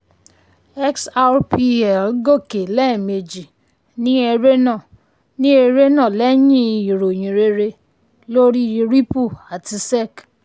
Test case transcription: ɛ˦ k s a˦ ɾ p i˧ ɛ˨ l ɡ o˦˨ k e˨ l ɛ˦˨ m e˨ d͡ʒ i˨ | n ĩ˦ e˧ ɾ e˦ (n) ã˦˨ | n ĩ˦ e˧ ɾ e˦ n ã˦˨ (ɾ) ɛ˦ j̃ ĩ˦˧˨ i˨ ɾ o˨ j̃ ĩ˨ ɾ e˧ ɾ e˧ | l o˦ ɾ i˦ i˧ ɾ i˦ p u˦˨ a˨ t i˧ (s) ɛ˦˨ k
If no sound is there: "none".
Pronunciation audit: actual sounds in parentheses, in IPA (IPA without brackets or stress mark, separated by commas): n, l, s